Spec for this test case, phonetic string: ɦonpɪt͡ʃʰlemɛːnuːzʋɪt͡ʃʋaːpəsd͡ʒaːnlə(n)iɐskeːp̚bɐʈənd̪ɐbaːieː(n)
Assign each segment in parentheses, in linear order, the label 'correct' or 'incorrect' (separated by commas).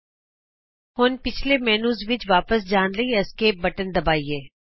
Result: incorrect, incorrect